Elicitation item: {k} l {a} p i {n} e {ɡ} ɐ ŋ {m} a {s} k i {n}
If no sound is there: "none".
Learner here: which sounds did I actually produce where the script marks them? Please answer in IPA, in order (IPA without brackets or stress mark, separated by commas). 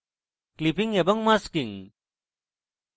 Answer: k, i, ŋ, b, m, s, ŋ